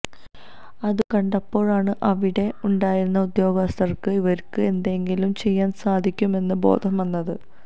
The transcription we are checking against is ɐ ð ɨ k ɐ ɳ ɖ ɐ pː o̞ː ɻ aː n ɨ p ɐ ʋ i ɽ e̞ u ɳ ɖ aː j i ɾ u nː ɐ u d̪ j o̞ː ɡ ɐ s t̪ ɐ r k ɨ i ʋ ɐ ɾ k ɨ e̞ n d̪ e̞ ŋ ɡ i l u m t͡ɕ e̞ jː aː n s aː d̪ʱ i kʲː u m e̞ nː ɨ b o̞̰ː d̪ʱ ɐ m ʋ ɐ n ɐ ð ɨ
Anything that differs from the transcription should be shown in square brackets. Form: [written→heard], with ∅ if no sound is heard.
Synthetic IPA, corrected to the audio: ɐ ð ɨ k ɐ ɳ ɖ ɐ pː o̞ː ɻ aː [n→ɳ] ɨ [p→ʔ] ɐ ʋ i ɽ e̞ u ɳ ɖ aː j i ɾ u nː ɐ u d̪ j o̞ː ɡ ɐ s t̪ ɐ r k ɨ i ʋ ɐ ɾ k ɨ e̞ n d̪ e̞ ŋ ɡ i l u m t͡ɕ e̞ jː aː n s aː d̪ʱ i kʲː u m e̞ nː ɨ b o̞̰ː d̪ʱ ɐ m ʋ ɐ [n→nː] ɐ ð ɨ